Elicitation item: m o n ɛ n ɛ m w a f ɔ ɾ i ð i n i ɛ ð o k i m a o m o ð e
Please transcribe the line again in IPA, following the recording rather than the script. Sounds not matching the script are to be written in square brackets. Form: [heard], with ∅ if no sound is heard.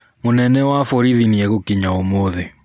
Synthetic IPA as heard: m o n ɛ n ɛ [∅] w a f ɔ ɾ i ð i n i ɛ [ɣ] o k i [ɲ] a o m o ð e